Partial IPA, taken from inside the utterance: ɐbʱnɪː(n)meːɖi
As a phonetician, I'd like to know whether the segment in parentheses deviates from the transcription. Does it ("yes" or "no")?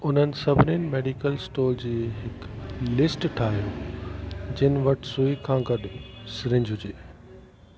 no